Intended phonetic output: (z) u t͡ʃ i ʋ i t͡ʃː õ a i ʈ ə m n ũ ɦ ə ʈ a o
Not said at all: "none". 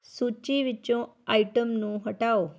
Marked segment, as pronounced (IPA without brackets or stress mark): s